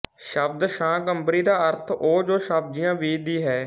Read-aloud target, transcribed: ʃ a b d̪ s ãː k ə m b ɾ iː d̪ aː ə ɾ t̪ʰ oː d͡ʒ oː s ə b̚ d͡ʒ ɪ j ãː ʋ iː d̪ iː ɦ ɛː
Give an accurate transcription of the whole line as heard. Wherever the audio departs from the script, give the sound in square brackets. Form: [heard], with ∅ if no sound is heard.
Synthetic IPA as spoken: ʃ [ə] b d̪ [ʃ] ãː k ə m b ɾ iː d̪ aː ə ɾ t̪ʰ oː d͡ʒ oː [ʃ] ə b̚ d͡ʒ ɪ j ãː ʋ iː d̪ iː ɦ ɛː

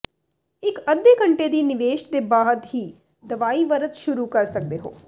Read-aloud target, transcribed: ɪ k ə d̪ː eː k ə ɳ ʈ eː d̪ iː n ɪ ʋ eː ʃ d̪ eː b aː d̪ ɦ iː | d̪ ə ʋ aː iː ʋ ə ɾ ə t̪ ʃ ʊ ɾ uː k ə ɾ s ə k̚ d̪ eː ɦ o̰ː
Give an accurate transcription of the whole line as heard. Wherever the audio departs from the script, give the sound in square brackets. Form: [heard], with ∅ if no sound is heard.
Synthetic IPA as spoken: ɪ k ə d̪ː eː k ə ɳ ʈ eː d̪ iː n ɪ ʋ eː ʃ d̪ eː b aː d̪ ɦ iː | d̪ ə ʋ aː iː ʋ ə ɾ ə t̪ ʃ ʊ ɾ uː k ə ɾ s ə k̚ d̪ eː ɦ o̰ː

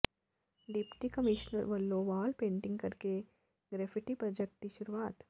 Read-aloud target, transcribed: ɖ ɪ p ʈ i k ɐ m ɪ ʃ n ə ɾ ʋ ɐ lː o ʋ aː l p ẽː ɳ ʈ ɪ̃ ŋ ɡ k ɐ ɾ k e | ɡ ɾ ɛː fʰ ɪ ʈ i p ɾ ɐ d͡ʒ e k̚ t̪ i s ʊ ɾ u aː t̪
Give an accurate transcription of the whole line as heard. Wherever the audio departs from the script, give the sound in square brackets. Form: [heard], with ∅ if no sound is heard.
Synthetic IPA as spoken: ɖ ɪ p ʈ i k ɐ m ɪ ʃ n ə ɾ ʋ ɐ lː o ʋ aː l p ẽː ɳ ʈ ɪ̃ ŋ ɡ k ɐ ɾ k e | ɡ ɾ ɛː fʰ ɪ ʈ i p ɾ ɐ d͡ʒ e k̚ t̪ i [ʃ] ʊ ɾ u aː t̪

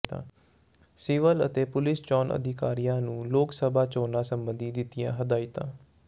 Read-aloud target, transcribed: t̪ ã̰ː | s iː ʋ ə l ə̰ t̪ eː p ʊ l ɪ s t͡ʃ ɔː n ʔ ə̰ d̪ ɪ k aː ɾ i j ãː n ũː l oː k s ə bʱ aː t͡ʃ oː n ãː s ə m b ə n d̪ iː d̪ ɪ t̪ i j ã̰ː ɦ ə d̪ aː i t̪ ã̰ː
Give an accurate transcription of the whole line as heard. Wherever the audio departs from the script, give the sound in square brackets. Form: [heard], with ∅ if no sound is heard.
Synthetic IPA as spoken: t̪ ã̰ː | s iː ʋ ə l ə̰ t̪ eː p ʊ l ɪ s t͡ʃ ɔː n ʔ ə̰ d̪ ɪ k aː ɾ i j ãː n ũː l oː k s ə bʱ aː t͡ʃ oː n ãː s ə m b ə n d̪ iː d̪ ɪ t̪ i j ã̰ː ɦ ə d̪ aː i t̪ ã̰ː

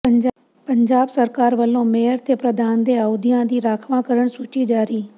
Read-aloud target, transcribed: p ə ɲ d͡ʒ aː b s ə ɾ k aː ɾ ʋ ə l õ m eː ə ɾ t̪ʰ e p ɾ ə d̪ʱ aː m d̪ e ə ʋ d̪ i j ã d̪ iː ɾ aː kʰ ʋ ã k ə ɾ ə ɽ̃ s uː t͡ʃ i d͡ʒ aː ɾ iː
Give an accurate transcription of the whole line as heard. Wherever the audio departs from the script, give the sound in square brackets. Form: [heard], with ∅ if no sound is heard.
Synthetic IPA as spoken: p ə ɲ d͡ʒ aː b s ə ɾ k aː ɾ ʋ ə l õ m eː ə ɾ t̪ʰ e p ɾ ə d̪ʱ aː [n] d̪ e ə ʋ d̪ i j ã d̪ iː ɾ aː kʰ ʋ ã k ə ɾ ə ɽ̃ s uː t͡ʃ i d͡ʒ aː ɾ iː

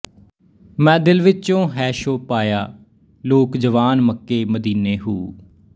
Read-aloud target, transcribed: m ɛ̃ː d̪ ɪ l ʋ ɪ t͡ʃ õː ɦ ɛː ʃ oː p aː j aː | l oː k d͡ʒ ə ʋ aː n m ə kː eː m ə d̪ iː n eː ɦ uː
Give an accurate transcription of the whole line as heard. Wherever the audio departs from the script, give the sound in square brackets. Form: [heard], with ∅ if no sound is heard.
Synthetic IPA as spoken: m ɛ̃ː d̪ ɪ l ʋ ɪ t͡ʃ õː ɦ ɛː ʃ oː p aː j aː | l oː k d͡ʒ ə ʋ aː n m ə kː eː m ə d̪ iː n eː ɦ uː

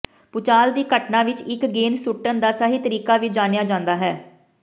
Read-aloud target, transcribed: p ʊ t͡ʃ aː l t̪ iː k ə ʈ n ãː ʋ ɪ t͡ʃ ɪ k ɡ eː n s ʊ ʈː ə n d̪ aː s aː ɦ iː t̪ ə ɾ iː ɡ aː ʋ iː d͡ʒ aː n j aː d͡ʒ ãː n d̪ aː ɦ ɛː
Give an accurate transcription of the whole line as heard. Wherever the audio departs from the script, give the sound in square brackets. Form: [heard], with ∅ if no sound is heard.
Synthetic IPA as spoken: p ʊ t͡ʃ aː l [d̪] iː k ə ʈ n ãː ʋ ɪ t͡ʃ ɪ k ɡ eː n s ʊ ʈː ə n d̪ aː s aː ɦ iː t̪ ə ɾ iː [k] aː ʋ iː d͡ʒ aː n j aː d͡ʒ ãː n d̪ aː ɦ ɛː

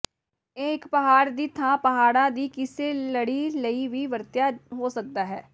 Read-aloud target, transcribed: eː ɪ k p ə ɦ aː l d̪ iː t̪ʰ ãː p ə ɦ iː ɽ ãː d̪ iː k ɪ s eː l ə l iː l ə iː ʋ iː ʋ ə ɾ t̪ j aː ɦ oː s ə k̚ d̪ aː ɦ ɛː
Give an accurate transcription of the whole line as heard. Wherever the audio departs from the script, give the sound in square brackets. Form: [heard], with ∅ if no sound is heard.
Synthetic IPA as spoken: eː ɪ k p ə ɦ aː [ɾ] d̪ iː t̪ʰ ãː p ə ɦ [aː] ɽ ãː d̪ iː k ɪ s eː l ə [ɽ] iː l ə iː ʋ iː ʋ ə ɾ t̪ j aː ɦ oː s ə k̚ d̪ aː ɦ ɛː

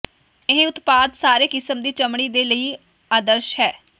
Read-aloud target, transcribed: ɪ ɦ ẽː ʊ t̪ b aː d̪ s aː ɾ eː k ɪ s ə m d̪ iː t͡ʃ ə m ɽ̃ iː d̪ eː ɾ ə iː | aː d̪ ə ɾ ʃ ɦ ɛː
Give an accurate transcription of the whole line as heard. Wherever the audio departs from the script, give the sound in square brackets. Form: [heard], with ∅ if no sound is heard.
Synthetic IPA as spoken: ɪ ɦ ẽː ʊ t̪ [p] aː d̪ s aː ɾ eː k ɪ s ə m d̪ iː t͡ʃ ə m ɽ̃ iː d̪ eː [l] ə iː | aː d̪ ə ɾ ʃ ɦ ɛː

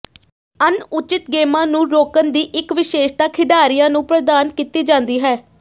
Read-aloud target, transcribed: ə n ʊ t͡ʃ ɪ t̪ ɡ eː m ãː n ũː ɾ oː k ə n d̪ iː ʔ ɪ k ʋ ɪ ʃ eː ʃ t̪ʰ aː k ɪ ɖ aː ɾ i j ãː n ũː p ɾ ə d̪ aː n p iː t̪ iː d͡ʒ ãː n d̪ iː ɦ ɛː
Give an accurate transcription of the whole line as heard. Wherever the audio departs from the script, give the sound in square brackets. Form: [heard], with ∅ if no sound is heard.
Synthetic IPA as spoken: ə n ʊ t͡ʃ ɪ t̪ ɡ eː m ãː n ũː ɾ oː k ə n d̪ iː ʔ ɪ k ʋ ɪ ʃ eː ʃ [t̪] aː [kʰ] ɪ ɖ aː ɾ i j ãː n ũː p ɾ ə d̪ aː n [k] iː t̪ iː d͡ʒ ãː n d̪ iː ɦ ɛː

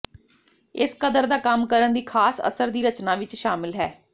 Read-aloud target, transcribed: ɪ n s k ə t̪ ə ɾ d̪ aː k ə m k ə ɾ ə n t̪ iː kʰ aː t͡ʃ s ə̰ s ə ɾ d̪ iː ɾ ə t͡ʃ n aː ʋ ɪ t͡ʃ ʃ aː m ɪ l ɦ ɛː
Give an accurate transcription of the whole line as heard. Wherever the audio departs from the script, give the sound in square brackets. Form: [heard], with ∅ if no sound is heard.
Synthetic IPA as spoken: ɪ [∅] s k ə [d̪] ə ɾ d̪ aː k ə m k ə ɾ ə n [d̪] iː kʰ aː [∅] s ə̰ s ə ɾ d̪ iː ɾ ə t͡ʃ n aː ʋ ɪ t͡ʃ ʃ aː m ɪ l ɦ ɛː

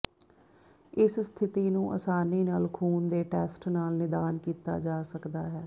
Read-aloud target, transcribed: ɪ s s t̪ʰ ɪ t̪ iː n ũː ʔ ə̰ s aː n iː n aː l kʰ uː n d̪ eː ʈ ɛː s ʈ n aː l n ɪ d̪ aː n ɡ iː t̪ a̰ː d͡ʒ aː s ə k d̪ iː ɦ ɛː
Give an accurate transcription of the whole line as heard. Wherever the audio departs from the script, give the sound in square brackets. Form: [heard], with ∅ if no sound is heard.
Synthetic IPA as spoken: ɪ s s t̪ʰ ɪ t̪ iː n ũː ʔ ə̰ s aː n iː n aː l kʰ uː n d̪ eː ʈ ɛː s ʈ n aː l n ɪ d̪ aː n [k] iː t̪ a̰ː d͡ʒ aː s ə k d̪ [aː] ɦ ɛː

